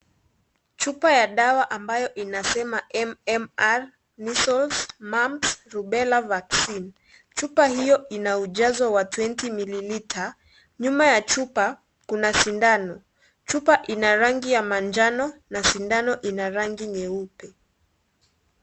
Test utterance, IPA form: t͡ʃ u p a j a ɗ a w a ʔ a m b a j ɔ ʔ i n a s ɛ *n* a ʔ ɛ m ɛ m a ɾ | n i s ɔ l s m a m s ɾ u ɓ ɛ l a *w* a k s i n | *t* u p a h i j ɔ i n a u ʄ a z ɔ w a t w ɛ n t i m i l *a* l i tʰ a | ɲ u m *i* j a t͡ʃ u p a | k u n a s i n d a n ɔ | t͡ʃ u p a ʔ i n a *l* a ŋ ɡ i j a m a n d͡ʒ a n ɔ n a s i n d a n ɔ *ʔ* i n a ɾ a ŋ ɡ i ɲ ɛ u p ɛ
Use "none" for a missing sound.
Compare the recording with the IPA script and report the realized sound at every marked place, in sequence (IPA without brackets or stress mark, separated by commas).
m, v, t͡ʃ, i, a, ɾ, ʔ